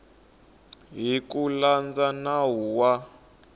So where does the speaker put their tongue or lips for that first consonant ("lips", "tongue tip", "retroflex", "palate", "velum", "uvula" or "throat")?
throat